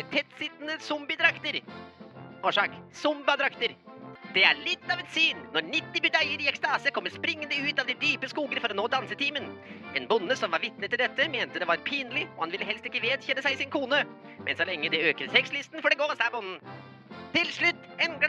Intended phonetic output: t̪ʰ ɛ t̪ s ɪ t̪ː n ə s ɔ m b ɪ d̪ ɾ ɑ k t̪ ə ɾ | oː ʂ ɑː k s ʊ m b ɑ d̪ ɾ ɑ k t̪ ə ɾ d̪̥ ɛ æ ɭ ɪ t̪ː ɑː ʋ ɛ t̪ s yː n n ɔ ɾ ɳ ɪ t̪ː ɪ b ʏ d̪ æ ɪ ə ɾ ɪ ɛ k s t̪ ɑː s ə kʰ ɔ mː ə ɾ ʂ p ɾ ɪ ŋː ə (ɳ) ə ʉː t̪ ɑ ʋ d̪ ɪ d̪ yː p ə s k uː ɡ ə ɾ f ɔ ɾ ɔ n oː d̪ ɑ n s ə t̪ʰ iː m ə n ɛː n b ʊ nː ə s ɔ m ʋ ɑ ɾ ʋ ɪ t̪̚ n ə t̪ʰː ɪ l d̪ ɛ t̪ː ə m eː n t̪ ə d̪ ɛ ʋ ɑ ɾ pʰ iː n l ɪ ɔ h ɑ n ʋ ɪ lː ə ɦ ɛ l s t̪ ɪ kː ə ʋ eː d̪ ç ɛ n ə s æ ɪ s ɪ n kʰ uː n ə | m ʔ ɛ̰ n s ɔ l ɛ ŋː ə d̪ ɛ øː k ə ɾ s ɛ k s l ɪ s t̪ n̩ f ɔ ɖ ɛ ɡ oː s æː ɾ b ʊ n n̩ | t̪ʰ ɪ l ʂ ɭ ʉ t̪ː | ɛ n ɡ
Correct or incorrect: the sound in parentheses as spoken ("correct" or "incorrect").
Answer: incorrect